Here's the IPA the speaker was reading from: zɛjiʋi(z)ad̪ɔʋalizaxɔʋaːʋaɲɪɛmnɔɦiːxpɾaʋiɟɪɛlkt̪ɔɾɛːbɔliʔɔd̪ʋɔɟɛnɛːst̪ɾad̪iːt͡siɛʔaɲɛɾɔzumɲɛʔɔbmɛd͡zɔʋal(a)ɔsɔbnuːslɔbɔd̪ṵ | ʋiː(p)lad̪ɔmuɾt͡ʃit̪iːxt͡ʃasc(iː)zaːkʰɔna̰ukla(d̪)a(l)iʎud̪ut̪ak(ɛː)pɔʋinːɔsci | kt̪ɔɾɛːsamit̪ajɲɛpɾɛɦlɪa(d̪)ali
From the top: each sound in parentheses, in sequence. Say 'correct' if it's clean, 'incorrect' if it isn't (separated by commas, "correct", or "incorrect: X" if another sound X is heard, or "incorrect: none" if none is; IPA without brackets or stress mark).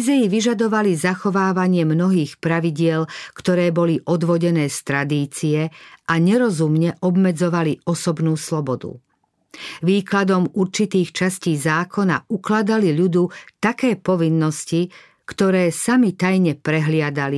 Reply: incorrect: ʒ, incorrect: i, incorrect: k, correct, correct, correct, correct, correct